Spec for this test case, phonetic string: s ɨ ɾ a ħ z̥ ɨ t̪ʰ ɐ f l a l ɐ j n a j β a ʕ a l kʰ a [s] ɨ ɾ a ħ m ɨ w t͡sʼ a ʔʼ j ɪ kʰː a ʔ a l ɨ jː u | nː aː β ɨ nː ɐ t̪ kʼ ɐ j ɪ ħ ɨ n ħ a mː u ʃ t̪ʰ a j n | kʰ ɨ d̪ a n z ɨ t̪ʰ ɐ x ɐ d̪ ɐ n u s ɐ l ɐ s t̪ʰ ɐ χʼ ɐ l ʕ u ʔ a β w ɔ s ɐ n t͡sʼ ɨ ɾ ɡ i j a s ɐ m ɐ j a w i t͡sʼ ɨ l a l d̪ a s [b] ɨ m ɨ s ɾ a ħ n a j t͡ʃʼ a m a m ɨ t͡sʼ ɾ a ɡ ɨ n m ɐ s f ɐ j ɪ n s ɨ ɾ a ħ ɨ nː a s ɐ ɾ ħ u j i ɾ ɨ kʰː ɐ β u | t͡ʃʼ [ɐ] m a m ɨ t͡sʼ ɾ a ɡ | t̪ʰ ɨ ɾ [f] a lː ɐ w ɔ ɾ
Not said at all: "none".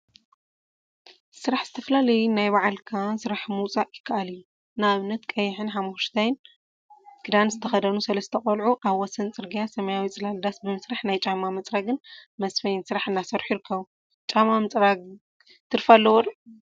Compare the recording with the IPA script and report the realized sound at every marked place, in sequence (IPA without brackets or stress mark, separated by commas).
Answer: s, b, a, f